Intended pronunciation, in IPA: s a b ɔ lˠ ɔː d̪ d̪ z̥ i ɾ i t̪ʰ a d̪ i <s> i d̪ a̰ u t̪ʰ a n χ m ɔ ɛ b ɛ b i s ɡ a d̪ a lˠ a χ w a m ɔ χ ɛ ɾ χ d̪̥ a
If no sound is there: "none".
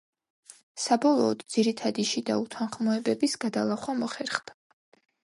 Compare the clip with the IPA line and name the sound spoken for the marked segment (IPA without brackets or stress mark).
ʃ